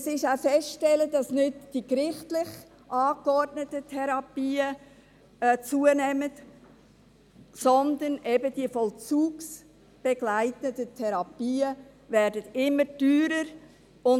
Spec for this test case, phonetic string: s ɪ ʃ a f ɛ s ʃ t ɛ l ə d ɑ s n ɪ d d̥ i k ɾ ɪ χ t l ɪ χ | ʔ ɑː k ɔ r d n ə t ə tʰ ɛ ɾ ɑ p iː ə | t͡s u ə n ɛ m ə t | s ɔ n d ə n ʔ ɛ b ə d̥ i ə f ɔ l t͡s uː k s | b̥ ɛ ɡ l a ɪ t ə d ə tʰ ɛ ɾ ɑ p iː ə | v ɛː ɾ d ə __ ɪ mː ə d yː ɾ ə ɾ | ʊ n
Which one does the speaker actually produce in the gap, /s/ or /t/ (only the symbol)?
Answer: t